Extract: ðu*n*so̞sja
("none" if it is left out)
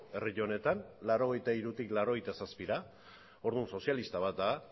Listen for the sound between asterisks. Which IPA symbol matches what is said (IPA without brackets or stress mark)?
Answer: n